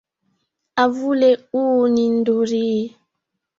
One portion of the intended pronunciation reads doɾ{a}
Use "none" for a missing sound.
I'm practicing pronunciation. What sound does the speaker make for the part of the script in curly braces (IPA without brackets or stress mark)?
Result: i